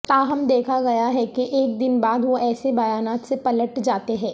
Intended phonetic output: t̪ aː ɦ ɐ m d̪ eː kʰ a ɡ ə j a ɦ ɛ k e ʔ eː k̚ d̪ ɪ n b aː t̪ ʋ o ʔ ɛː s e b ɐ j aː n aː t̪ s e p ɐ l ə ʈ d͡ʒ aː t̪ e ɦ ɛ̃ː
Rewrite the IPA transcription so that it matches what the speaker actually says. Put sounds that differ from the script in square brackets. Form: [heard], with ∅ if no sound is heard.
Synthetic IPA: t̪ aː ɦ ɐ m d̪ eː kʰ a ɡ [ɐ] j a ɦ ɛ k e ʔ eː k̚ d̪ ɪ n b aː [d̪] ʋ o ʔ ɛː s e b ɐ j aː n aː t̪ s e p ɐ l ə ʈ d͡ʒ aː t̪ e ɦ ɛ̃ː